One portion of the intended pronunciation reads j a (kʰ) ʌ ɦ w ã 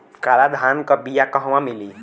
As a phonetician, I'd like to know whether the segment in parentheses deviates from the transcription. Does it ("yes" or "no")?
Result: yes